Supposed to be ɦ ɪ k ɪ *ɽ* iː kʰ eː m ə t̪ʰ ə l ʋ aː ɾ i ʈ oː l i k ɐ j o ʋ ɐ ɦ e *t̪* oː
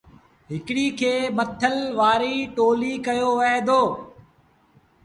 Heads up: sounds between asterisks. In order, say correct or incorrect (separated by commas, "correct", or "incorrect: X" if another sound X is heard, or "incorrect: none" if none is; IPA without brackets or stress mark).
correct, incorrect: d̪